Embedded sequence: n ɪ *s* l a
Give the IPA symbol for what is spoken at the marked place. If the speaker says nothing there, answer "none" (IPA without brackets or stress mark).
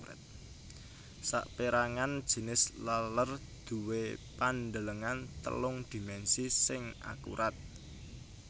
s